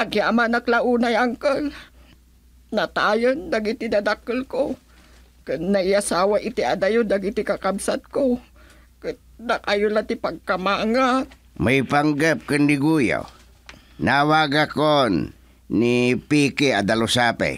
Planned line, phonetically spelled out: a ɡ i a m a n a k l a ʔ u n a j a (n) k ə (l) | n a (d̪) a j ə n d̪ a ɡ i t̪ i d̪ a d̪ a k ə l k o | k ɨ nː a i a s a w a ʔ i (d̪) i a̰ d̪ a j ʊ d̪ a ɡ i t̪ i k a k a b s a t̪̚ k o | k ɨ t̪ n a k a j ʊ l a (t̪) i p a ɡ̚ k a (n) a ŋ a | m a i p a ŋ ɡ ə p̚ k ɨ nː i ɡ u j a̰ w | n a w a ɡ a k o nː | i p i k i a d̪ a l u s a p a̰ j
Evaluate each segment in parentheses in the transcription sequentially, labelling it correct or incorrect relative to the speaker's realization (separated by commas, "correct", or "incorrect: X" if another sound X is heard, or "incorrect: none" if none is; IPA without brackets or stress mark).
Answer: incorrect: ŋ, correct, incorrect: t̪, incorrect: t̪, correct, incorrect: m